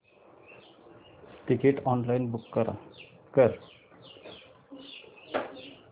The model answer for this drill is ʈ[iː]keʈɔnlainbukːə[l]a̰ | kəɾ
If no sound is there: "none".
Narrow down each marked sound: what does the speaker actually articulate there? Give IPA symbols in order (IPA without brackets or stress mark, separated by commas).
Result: i, ɾ